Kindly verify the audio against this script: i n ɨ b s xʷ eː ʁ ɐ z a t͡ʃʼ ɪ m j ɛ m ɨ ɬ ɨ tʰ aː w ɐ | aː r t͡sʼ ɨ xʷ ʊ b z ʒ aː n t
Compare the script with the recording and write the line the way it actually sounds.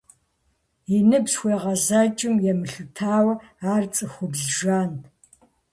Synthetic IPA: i n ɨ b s xʷ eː ʁ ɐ z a t͡ʃʼ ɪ m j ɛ m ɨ ɬ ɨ tʰ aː w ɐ | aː r t͡sʼ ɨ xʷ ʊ b z ʒ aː n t